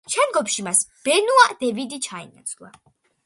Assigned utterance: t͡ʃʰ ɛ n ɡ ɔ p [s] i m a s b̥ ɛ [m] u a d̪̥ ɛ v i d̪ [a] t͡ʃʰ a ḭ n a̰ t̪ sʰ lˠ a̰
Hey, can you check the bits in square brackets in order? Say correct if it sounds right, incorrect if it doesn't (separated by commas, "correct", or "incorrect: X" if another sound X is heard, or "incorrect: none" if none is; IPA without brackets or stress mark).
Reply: incorrect: ʃ, incorrect: n, incorrect: i